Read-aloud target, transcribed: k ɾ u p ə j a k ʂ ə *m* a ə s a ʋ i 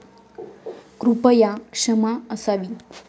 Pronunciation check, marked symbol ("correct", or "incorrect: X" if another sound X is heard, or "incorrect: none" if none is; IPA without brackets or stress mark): correct